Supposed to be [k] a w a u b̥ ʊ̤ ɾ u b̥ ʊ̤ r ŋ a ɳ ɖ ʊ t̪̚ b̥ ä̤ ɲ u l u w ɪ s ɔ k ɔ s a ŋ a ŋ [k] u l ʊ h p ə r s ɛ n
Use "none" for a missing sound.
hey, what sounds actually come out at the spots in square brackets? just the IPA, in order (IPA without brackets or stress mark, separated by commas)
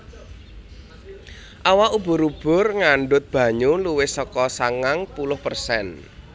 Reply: ʔ, p